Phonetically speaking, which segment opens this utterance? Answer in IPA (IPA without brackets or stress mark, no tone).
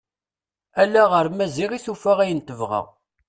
æ